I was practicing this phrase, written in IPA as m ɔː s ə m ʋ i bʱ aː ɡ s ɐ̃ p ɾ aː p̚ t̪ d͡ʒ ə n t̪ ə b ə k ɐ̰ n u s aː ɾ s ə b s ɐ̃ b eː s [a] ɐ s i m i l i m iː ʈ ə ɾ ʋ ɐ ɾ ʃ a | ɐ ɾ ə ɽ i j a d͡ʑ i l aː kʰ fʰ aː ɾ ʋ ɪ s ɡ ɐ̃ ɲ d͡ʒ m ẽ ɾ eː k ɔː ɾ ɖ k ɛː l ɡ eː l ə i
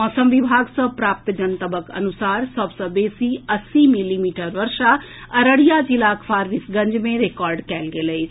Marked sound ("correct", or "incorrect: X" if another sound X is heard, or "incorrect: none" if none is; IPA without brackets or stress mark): incorrect: i